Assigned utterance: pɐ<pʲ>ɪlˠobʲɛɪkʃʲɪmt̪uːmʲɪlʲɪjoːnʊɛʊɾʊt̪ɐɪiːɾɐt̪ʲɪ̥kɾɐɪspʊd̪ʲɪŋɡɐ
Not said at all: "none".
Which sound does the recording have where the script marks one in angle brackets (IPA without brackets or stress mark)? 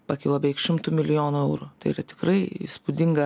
kʲ